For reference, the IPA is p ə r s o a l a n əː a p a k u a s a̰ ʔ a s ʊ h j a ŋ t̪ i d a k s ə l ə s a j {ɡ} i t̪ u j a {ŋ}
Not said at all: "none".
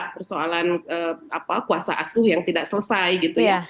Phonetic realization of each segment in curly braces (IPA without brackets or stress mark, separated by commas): ɡ, none